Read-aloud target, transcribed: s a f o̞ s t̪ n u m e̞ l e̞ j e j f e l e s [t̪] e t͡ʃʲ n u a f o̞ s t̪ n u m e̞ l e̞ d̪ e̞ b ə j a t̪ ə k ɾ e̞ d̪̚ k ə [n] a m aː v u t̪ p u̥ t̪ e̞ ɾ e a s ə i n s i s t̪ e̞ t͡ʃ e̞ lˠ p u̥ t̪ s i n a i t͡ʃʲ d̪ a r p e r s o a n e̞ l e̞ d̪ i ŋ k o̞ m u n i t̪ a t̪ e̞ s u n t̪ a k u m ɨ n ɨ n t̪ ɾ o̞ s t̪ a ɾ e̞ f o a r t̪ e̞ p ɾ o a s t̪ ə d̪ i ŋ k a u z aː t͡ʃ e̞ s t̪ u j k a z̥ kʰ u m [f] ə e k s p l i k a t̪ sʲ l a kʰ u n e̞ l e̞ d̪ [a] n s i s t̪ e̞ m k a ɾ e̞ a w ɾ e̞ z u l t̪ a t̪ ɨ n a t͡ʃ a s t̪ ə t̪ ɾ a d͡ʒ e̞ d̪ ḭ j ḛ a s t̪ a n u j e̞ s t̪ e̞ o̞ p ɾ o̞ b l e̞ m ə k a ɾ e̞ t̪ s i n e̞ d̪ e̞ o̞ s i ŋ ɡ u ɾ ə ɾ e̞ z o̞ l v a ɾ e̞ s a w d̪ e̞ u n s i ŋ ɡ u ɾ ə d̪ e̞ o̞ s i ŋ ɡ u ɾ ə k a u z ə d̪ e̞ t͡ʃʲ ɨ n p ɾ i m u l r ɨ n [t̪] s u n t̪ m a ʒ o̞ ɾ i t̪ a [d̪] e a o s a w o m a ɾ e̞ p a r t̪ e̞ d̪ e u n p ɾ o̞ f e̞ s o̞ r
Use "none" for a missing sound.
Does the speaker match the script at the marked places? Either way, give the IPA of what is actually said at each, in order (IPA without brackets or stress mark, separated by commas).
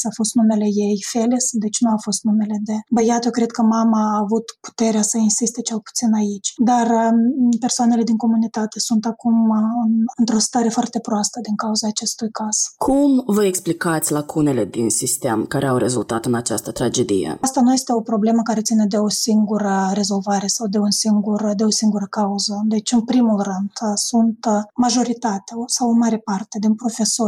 d̪, m, v, i, d̪, t̪